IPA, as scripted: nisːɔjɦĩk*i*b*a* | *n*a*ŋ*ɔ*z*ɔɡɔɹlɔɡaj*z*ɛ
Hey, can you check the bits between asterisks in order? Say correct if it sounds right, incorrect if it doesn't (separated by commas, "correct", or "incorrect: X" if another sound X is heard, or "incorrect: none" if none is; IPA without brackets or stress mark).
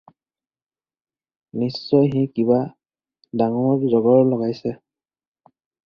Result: correct, correct, incorrect: d, correct, correct, incorrect: s